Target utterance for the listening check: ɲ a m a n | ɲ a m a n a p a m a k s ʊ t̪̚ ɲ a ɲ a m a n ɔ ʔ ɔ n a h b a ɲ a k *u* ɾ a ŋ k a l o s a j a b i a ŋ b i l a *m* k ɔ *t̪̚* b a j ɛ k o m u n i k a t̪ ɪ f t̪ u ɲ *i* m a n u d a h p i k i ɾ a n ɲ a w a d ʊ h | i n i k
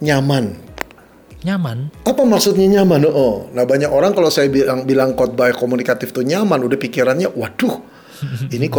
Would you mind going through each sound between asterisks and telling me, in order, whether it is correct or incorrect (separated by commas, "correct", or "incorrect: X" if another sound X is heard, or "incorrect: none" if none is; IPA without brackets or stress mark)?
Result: incorrect: o, incorrect: ŋ, correct, incorrect: a